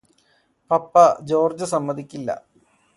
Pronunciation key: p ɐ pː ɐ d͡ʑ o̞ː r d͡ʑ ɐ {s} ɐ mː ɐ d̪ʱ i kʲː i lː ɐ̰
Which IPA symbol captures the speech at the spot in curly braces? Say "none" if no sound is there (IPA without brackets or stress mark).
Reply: s